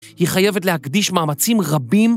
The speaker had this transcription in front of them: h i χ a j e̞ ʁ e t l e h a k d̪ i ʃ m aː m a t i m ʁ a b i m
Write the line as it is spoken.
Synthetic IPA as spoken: h i χ a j e̞ v e t l e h a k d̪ i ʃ m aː m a t͡s i m ʁ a b i m